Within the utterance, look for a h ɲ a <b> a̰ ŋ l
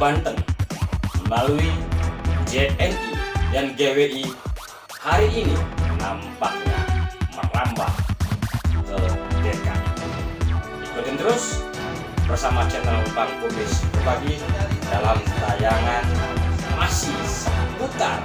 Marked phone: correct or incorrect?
incorrect: m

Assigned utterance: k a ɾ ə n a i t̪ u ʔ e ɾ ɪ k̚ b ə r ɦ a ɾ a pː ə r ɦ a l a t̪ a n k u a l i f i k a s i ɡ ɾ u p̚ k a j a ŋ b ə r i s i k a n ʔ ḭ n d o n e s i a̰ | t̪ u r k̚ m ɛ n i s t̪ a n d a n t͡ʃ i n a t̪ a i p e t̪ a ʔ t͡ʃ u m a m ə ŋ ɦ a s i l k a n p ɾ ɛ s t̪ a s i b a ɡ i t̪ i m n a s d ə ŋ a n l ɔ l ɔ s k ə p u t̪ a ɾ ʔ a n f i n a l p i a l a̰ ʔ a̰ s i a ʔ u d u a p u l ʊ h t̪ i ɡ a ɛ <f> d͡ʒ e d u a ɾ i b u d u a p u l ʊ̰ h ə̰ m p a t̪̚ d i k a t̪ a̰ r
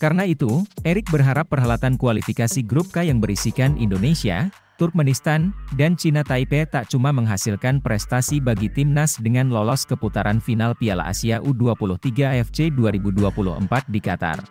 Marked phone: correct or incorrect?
correct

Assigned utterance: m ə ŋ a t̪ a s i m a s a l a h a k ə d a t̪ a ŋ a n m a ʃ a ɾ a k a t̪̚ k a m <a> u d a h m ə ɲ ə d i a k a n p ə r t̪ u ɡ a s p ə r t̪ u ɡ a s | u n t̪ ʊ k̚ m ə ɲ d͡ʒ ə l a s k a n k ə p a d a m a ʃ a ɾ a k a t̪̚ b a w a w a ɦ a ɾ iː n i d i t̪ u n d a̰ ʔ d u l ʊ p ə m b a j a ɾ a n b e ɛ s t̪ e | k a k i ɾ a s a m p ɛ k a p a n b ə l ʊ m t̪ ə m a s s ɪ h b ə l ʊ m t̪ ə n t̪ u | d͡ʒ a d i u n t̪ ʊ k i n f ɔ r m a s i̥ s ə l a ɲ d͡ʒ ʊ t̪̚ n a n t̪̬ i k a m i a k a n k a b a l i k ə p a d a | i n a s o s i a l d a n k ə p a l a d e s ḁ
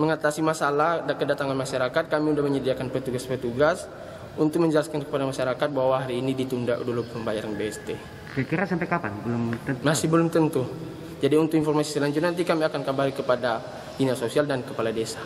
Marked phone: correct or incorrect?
incorrect: i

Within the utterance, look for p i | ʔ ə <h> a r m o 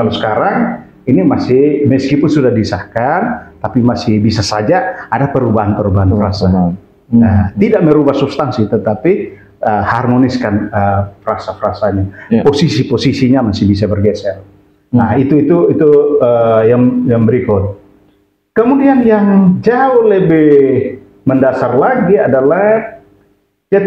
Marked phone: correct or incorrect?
correct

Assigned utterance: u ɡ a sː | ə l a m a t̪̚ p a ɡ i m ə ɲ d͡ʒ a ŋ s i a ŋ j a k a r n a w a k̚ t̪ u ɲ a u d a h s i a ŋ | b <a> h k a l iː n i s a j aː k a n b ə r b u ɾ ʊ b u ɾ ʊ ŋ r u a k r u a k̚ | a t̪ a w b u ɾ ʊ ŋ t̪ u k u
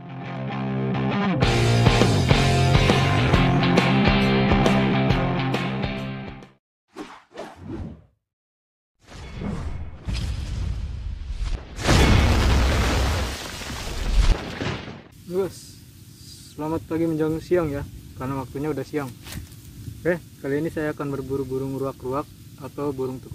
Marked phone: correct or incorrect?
incorrect: ɛ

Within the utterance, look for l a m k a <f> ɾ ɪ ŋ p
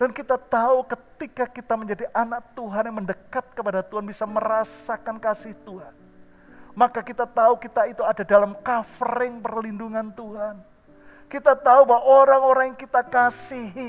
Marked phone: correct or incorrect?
correct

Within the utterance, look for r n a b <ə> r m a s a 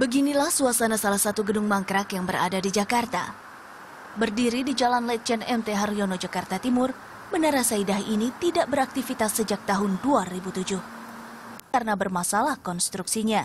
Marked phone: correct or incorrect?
correct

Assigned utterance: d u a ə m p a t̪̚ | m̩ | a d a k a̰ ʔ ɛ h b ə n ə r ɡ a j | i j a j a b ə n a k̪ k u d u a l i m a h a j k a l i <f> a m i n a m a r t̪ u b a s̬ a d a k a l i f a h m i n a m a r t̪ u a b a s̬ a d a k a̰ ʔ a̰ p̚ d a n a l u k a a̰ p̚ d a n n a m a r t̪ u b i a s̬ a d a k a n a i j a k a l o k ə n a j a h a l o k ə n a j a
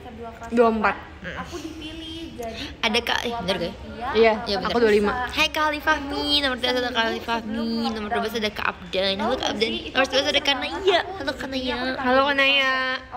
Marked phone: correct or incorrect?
correct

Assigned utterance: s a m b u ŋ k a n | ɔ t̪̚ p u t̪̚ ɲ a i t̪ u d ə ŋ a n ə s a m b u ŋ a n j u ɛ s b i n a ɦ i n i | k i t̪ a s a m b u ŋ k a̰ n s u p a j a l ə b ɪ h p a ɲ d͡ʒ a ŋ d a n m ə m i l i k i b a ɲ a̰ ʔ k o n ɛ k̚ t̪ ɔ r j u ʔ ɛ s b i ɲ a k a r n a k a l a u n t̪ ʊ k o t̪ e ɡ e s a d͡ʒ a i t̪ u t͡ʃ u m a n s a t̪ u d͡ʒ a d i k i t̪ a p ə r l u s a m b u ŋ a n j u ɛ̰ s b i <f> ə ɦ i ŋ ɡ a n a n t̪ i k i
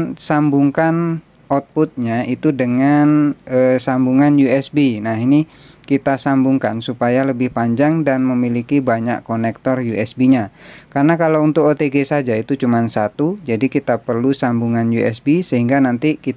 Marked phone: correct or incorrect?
incorrect: s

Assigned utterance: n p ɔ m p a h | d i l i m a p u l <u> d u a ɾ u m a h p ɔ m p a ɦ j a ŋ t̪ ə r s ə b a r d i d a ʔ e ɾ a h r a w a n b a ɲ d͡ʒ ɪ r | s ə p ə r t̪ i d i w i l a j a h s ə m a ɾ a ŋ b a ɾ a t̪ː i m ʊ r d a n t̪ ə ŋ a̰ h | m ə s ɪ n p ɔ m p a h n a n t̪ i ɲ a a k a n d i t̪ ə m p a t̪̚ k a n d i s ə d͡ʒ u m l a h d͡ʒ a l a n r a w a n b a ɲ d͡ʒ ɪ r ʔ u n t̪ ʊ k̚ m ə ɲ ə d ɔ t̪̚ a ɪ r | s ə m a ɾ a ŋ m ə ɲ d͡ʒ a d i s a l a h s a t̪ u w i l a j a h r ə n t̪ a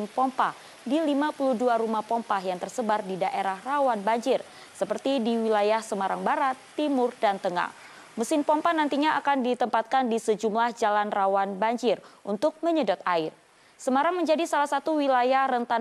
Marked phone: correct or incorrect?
correct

